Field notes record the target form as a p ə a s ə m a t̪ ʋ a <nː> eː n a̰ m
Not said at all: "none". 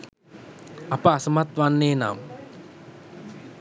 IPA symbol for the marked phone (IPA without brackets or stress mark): nː